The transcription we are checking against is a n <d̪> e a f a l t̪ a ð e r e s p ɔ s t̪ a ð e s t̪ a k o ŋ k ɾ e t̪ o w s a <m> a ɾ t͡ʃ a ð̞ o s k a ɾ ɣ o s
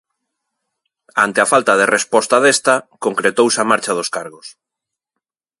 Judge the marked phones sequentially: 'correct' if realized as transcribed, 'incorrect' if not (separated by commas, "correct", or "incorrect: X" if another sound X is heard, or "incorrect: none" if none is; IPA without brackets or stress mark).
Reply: incorrect: t̪, correct